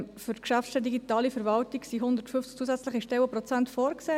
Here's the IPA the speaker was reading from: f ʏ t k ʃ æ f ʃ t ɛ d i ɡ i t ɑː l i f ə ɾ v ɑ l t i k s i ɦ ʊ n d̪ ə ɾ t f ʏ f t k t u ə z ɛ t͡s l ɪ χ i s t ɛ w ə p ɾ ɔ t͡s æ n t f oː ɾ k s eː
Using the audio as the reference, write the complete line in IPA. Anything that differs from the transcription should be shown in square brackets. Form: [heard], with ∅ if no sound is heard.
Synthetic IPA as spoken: f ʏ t k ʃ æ f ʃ t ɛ d i ɡ i t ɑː l i f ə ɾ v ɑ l t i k s i ɦ ʊ n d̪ ə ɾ t f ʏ f [t͡s] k [t͡s] u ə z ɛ t͡s l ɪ χ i [ʃ] t ɛ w ə p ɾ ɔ t͡s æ n t f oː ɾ k s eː